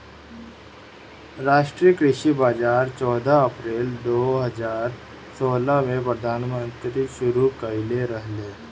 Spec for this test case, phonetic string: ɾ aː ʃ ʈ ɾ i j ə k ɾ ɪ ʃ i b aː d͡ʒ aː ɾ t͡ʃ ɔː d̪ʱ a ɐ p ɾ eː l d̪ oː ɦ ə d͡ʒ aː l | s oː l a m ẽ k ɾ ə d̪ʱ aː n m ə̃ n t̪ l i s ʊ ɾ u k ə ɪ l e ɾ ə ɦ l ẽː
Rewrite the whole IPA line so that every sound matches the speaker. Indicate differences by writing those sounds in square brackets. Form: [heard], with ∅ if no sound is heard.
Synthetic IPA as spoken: ɾ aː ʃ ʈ ɾ i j ə k ɾ ɪ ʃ i b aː d͡ʒ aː ɾ t͡ʃ ɔː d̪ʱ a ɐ p ɾ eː l d̪ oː ɦ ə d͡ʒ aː [ɾ] | s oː l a m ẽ [p] ɾ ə d̪ʱ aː n m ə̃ n t̪ [ɾ] i [ʃ] ʊ ɾ u k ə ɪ l e ɾ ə ɦ l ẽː